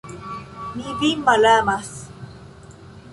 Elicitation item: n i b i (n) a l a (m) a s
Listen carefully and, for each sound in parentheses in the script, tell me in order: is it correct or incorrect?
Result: incorrect: m, correct

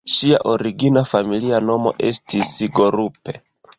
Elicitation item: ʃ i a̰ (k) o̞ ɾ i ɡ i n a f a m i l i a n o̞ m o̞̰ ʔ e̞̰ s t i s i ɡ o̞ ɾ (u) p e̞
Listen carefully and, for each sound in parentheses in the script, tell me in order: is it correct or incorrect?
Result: incorrect: ʔ, correct

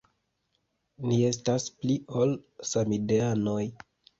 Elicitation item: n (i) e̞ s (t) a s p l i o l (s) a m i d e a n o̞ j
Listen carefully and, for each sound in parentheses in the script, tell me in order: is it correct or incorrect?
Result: correct, correct, correct

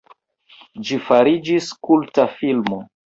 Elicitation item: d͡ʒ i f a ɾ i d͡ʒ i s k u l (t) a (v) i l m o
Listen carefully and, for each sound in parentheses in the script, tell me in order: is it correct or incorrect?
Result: correct, incorrect: f

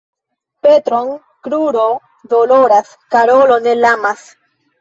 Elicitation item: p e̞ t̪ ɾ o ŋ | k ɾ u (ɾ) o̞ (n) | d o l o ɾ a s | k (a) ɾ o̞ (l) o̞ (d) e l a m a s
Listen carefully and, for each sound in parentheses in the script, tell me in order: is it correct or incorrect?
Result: correct, incorrect: none, correct, correct, incorrect: n

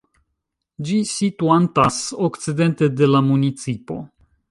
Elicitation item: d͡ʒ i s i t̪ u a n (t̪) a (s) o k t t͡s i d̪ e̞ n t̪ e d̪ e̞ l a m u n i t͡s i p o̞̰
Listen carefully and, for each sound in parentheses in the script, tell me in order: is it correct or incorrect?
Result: correct, correct

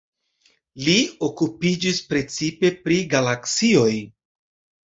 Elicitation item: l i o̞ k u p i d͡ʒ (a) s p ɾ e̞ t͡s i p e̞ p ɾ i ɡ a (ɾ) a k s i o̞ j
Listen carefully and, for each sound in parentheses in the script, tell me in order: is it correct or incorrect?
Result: incorrect: i, incorrect: l

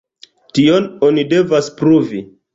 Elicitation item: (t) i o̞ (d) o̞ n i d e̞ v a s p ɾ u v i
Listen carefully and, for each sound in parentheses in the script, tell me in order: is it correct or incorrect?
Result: correct, incorrect: n

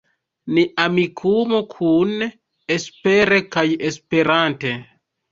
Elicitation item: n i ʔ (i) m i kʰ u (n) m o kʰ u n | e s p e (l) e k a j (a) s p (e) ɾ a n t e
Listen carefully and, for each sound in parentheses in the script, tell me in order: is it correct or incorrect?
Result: incorrect: a, incorrect: none, incorrect: ɾ, incorrect: e, correct

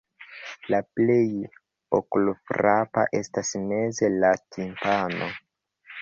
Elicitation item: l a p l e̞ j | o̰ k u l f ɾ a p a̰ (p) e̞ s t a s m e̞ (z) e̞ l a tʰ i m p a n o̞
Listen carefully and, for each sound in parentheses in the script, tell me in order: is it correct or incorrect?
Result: incorrect: ʔ, correct

